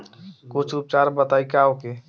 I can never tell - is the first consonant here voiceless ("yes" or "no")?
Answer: yes